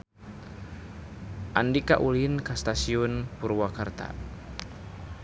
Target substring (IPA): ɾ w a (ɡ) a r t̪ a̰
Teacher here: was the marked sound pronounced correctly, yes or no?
no